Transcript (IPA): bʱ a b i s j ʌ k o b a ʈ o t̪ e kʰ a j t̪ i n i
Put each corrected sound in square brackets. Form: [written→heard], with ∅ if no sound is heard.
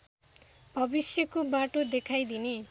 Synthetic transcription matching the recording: bʱ [a→ʌ] b i s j ʌ k o b a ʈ o [t̪→d̪] e kʰ a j [t̪→d̪] i n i

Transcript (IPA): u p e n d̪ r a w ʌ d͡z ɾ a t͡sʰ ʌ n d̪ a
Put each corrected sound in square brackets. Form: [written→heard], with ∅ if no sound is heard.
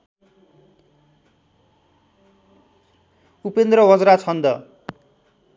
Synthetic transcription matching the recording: u p e n d̪ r [a→ʌ] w ʌ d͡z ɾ a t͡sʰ ʌ n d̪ [a→ʌ]

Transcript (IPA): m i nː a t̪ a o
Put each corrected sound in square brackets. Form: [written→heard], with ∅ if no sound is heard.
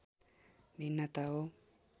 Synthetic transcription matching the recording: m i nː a t̪ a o

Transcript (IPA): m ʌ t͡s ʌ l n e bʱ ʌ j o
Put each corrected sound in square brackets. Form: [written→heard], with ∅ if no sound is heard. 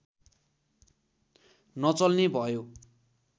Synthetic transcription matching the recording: [m→n] ʌ t͡s ʌ l n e bʱ ʌ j o

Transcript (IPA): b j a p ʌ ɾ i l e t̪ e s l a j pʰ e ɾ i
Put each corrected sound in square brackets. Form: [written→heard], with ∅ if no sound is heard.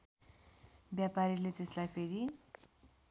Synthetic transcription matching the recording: b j a p [ʌ→a] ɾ i l e t̪ e s l a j pʰ e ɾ i

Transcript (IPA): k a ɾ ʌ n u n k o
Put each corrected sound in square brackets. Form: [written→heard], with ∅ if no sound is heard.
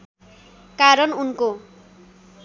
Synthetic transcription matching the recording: k a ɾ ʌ n u n k o

